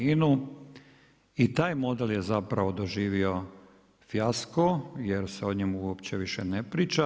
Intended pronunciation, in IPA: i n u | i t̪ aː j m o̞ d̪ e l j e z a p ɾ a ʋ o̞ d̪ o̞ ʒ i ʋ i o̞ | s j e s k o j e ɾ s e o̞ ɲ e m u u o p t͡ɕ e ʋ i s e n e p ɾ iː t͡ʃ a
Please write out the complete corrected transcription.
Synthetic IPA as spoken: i n u | i t̪ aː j m o̞ d̪ e l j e z a p ɾ a ʋ o̞ d̪ o̞ ʒ iː ʋ i o̞ | f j a s k o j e ɾ s e o̞ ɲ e m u u o p t͡ɕ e ʋ i ʃ e n e p ɾ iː t͡ʃ a